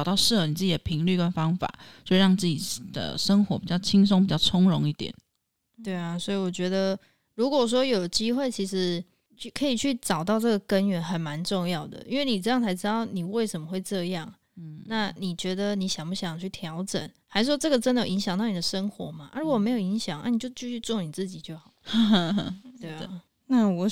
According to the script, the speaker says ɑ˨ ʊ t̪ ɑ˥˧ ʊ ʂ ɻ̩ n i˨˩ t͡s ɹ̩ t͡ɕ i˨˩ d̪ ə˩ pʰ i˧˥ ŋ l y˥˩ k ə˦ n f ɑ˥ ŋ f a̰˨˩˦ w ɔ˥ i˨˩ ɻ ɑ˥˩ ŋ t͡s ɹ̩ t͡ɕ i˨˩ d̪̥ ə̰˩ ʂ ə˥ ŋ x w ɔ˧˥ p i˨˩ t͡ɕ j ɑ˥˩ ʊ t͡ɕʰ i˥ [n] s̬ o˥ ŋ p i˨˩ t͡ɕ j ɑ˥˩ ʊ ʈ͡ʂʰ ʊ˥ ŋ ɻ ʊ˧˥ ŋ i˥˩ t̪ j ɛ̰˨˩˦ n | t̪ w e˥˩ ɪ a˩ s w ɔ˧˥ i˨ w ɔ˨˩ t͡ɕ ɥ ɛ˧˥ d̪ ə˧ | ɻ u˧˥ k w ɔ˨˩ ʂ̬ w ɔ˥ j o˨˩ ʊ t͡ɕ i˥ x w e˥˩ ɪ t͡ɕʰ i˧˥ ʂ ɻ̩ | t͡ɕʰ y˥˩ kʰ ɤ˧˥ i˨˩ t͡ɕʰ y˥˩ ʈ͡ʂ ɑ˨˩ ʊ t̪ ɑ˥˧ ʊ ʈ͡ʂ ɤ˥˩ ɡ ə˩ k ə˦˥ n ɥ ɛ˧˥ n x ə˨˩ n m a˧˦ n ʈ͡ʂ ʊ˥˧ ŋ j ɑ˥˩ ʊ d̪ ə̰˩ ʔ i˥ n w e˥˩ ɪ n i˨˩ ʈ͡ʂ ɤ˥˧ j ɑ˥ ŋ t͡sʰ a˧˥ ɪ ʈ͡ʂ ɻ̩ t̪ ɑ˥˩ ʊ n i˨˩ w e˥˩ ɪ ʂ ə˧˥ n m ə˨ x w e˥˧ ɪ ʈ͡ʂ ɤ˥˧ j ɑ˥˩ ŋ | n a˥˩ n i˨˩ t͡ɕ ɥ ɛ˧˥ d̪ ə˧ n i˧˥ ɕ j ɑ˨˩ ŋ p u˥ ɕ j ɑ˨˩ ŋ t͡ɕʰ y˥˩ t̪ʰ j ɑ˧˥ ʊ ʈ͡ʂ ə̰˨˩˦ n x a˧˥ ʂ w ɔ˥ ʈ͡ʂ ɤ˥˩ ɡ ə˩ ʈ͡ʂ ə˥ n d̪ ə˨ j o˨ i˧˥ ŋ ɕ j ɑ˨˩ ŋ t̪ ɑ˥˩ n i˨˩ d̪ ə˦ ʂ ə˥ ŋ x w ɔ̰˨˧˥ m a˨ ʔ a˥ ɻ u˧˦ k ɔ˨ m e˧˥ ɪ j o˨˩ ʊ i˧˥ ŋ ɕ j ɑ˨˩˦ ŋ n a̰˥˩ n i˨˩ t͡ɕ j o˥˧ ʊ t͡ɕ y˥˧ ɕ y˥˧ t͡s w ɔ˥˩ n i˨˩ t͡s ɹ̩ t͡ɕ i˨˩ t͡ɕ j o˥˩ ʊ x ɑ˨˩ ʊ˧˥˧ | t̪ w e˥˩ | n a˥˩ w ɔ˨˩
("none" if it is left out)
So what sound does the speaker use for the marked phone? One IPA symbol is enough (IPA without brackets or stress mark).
ŋ